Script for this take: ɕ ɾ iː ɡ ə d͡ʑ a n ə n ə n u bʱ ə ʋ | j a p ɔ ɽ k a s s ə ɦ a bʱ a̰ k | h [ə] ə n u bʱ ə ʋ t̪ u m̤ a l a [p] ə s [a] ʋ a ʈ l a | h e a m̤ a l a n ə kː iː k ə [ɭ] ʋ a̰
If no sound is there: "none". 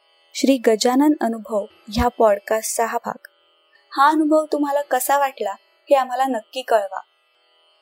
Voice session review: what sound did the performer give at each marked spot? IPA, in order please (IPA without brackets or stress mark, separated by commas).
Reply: a, k, a, ɭ